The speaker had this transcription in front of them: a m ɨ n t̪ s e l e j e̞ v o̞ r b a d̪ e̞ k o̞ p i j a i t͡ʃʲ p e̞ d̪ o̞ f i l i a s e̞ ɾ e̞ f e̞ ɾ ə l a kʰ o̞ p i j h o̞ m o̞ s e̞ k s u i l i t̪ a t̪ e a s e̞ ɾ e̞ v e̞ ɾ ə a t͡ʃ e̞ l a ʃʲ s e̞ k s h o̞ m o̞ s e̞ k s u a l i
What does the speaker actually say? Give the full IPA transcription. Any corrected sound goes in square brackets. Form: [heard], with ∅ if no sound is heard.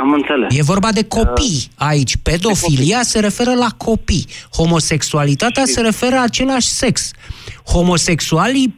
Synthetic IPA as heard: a m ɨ n t̪ s e l e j e̞ v o̞ r b a d̪ e̞ k o̞ p i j a i t͡ʃʲ p e̞ d̪ o̞ f i l i a s e̞ ɾ e̞ f e̞ ɾ ə l a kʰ o̞ p i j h o̞ m o̞ s e̞ k s u [a] l i t̪ a t̪ e a s e̞ ɾ e̞ [f] e̞ ɾ ə a t͡ʃ e̞ l a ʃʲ s e̞ k s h o̞ m o̞ s e̞ k s u a l i